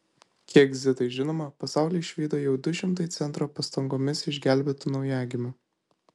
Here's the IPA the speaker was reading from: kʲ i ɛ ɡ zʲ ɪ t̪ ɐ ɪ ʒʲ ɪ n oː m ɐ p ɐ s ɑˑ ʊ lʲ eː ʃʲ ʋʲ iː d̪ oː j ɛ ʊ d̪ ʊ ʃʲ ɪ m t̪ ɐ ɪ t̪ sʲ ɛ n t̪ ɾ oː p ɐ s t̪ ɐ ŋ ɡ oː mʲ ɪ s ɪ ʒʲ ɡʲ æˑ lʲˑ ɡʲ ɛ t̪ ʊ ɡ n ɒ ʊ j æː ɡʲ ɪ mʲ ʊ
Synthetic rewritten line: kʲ i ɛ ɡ zʲ ɪ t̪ ɐ ɪ ʒʲ ɪ n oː m ɐ p ɐ s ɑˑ ʊ lʲ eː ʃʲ ʋʲ iː d̪ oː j ɛ ʊ d̪ ʊ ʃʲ ɪ m t̪ ɐ ɪ t̪ sʲ ɛ n t̪ ɾ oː p ɐ s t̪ ɐ ŋ ɡ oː mʲ ɪ s ɪ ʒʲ ɡʲ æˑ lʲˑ bʲ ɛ t̪ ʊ n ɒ ʊ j æː ɡʲ ɪ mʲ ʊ